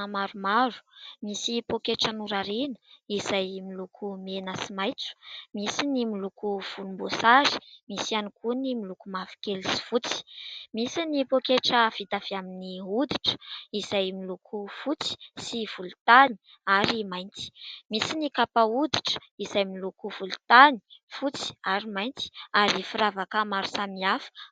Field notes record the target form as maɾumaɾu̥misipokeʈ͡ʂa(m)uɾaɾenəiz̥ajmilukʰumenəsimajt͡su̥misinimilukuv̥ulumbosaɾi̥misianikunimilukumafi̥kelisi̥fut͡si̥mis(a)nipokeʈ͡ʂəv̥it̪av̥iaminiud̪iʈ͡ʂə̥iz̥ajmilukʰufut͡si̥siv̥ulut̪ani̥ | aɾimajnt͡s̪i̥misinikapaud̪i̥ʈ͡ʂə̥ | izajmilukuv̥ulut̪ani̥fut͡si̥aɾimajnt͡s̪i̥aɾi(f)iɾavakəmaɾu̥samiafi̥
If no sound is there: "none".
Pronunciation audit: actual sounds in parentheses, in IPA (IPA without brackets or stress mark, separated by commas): n, i, f